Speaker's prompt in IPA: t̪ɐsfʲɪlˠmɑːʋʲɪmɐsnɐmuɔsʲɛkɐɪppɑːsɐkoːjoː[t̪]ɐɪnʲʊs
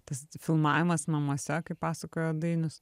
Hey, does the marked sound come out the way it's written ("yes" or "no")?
no